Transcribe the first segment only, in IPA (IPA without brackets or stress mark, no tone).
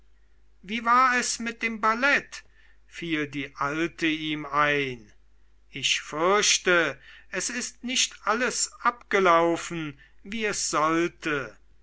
v